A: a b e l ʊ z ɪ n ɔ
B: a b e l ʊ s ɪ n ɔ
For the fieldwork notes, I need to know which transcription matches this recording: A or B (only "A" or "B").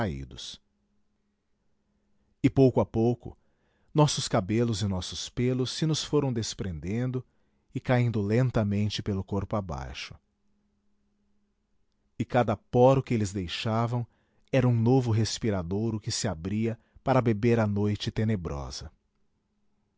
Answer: A